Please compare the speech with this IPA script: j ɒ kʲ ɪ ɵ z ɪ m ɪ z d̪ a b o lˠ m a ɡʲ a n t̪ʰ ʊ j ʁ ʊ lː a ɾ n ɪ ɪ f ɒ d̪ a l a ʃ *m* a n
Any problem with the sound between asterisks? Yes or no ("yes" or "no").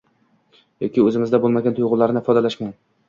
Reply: no